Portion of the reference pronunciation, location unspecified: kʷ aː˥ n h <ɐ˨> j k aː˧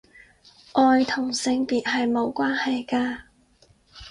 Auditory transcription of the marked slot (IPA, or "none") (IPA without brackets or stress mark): ɐ˨